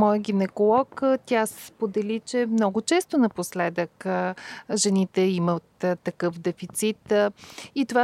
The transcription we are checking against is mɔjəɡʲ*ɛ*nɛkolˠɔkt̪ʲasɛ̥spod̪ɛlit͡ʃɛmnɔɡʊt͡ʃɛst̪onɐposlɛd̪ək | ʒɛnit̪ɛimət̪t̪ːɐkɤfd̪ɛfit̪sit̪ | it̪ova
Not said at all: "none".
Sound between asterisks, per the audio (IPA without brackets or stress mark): i